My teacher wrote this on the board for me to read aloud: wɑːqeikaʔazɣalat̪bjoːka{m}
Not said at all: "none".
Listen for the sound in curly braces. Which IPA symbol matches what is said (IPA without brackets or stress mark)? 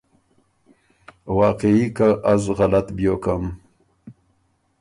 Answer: m